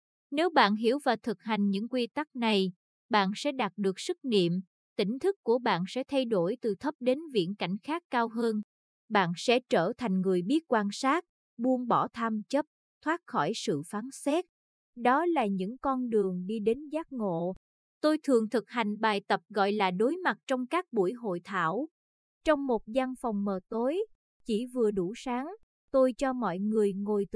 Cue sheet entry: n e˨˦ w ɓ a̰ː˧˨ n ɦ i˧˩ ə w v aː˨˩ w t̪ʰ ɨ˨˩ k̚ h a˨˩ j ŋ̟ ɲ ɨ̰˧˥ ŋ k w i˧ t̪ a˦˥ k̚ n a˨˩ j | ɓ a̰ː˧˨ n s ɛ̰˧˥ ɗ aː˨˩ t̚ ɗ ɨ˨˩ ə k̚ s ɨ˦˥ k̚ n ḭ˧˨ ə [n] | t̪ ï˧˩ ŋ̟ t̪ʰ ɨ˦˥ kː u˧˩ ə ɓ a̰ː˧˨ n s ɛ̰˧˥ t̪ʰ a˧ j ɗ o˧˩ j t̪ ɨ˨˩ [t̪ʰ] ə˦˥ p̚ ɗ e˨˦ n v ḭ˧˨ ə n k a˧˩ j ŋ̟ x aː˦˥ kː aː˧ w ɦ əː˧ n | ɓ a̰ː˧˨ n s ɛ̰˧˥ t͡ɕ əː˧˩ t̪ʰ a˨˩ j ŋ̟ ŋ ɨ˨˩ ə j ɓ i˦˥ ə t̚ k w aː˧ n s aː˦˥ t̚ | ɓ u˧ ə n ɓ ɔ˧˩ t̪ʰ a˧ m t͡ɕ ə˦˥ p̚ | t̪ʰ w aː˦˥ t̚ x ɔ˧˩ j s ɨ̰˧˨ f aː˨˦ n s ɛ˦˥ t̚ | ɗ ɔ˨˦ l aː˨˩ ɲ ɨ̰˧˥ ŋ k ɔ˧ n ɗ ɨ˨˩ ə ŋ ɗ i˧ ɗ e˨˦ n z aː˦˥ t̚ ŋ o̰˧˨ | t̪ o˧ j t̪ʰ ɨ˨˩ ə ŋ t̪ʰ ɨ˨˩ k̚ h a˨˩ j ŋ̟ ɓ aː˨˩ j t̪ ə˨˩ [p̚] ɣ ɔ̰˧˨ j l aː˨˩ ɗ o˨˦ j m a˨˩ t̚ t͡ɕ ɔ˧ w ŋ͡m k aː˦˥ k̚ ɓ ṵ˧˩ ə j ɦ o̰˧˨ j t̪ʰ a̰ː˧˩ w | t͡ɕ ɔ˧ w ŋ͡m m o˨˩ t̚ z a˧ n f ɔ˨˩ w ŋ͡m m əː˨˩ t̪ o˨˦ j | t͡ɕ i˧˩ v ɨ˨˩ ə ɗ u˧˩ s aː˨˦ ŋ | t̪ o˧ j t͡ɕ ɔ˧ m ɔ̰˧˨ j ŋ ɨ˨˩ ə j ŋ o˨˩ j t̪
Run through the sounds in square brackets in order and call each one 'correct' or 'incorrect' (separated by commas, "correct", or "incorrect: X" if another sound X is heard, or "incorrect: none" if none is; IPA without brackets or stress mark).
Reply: incorrect: m, correct, correct